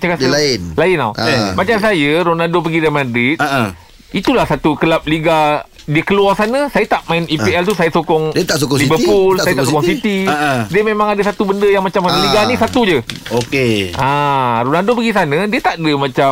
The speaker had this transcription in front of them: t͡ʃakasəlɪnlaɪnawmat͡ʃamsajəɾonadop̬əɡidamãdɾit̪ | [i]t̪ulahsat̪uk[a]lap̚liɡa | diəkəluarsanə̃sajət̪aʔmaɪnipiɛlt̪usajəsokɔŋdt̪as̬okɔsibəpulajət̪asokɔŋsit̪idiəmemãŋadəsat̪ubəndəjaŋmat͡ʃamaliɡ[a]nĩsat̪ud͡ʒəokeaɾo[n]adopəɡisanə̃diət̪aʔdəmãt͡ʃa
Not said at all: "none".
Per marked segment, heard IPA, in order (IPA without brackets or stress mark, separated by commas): i, ə, a, n